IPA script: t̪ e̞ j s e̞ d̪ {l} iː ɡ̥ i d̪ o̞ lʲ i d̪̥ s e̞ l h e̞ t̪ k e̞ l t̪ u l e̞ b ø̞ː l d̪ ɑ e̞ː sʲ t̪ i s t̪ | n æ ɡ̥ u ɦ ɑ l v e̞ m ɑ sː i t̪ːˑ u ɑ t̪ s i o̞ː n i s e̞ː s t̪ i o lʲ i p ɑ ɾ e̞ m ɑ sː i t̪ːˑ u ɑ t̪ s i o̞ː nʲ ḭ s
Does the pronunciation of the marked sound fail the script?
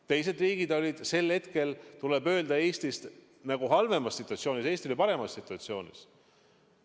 yes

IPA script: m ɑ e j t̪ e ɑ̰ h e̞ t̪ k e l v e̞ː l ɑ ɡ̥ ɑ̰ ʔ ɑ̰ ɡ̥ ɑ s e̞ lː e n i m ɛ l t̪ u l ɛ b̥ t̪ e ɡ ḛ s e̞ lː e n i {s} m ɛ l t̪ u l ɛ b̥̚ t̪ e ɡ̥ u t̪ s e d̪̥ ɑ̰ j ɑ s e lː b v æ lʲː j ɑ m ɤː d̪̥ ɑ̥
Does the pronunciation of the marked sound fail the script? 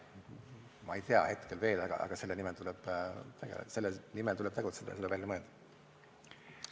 yes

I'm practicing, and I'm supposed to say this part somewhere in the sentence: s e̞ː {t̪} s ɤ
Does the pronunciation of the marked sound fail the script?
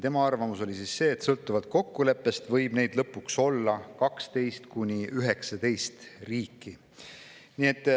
no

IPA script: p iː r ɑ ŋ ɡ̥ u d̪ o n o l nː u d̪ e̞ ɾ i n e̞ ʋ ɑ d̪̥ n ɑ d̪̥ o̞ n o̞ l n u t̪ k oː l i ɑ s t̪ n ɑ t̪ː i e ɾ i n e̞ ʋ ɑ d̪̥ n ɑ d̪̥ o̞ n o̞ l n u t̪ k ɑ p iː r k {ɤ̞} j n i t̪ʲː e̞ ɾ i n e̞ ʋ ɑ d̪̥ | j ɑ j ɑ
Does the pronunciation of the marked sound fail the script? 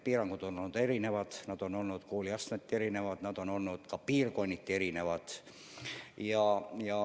yes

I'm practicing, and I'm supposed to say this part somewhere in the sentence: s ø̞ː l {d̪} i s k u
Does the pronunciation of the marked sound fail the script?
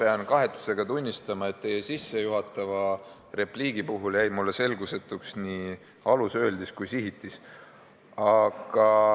no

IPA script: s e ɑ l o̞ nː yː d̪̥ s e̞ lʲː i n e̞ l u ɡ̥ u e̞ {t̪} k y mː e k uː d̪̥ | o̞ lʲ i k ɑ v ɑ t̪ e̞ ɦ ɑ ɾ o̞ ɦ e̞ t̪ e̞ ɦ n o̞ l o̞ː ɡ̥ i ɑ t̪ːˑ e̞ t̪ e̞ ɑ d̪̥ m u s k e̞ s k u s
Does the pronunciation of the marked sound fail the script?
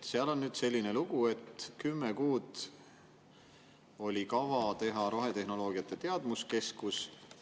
no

